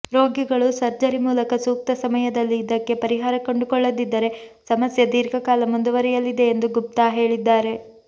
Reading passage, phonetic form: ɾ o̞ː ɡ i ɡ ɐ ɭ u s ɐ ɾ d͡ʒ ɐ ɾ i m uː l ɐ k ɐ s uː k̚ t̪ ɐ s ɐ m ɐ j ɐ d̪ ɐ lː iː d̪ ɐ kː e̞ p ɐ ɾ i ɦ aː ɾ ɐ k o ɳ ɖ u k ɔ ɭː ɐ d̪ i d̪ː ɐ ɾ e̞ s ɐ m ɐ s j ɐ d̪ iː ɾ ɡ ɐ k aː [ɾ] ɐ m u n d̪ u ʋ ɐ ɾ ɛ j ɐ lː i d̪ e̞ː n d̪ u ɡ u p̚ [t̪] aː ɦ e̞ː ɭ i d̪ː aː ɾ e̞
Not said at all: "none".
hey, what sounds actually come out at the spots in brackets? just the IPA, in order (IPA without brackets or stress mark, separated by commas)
l, t̪